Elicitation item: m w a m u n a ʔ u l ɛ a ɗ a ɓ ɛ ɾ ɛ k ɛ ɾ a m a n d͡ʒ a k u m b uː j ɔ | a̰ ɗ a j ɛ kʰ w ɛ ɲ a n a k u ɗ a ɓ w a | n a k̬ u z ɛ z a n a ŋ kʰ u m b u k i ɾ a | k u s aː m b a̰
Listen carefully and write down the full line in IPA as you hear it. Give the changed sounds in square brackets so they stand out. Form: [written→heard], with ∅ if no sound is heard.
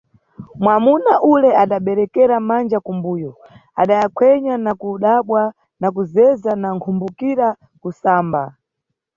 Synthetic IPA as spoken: m w a m u n a ʔ u l ɛ a ɗ a ɓ ɛ ɾ ɛ k ɛ ɾ a m a n d͡ʒ a k u m b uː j ɔ | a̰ ɗ a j [ɛ→a] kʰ w ɛ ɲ a n a k u ɗ a ɓ w a | n a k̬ u z ɛ z a n a ŋ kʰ u m b u k i ɾ a | k u s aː m b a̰